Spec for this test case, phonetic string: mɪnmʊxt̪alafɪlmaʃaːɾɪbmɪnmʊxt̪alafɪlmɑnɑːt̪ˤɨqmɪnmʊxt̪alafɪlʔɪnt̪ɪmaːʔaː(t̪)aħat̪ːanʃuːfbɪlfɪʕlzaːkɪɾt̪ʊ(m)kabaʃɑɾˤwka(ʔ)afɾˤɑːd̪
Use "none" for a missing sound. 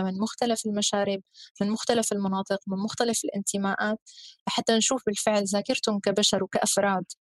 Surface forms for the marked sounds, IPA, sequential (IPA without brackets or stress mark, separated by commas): t̪, m, ʔ